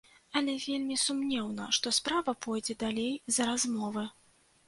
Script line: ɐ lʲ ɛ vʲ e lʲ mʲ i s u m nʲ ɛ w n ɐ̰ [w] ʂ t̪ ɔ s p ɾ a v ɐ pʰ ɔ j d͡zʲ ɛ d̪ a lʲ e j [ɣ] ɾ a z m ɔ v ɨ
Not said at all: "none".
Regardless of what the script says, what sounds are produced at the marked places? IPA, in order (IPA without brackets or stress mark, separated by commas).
none, z